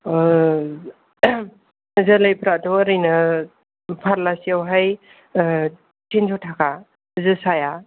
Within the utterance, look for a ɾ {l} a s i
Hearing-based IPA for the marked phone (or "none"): l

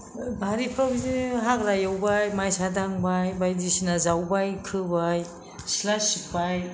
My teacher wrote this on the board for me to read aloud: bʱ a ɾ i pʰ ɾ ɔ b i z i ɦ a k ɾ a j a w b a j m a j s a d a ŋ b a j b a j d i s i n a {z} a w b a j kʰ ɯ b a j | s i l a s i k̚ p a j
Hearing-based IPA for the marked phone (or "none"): z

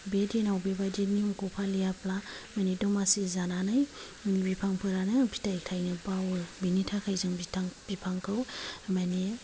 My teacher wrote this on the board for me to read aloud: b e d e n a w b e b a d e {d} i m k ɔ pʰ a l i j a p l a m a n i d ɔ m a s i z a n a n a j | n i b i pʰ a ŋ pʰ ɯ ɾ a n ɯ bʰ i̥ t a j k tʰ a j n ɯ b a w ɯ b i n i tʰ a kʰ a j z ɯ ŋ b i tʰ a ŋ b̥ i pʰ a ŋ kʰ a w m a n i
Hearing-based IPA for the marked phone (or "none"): n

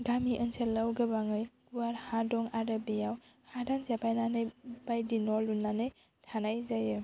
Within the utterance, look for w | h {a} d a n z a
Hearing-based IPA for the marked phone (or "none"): a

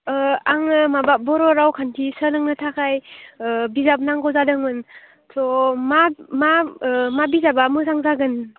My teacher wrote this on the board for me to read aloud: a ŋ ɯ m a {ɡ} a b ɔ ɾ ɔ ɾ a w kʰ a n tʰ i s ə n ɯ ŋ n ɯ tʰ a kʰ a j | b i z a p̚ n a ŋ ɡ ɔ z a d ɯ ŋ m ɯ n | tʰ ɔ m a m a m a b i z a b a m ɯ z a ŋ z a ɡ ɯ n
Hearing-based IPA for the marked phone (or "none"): b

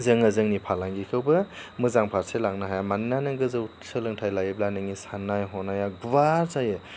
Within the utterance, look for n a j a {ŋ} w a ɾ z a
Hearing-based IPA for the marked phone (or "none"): ɡ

